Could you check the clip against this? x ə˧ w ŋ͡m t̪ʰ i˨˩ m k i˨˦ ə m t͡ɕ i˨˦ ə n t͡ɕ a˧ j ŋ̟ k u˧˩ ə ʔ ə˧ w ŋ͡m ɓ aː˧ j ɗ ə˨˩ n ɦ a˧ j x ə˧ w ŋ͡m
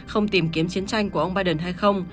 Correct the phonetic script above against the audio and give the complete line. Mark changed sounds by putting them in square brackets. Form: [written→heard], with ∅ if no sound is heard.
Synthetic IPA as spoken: x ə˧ w ŋ͡m [t̪ʰ→t̪] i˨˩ m k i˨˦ ə m t͡ɕ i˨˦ ə n t͡ɕ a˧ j ŋ̟ k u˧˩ ə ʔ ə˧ w ŋ͡m ɓ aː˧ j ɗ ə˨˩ n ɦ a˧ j x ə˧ w ŋ͡m